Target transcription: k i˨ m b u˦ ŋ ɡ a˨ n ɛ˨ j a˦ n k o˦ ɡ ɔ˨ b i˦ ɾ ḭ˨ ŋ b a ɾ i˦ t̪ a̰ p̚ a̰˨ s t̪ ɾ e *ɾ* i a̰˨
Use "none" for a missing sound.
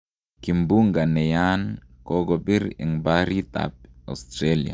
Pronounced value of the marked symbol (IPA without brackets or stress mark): l